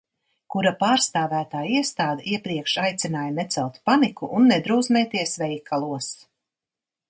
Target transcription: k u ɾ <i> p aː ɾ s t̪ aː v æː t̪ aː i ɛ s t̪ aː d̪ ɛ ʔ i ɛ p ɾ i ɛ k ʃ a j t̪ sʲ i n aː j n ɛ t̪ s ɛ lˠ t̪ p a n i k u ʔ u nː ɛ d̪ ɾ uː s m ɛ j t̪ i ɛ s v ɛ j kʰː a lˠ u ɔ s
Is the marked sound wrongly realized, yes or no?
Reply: yes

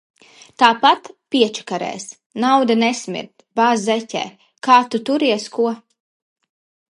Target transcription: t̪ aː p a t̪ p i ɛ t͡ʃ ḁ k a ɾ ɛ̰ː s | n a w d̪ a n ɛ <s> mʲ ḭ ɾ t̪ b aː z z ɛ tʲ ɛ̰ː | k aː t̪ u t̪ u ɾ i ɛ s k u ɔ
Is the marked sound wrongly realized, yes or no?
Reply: no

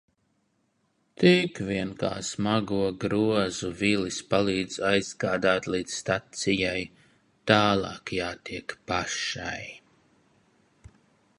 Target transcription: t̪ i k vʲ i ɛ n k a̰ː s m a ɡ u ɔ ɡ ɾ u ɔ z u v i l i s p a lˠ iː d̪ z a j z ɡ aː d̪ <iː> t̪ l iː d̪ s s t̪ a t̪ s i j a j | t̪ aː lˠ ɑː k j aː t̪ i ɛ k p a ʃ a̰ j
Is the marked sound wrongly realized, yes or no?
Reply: yes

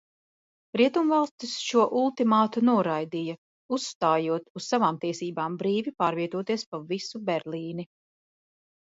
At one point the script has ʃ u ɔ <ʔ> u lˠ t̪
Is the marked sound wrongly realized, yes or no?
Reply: no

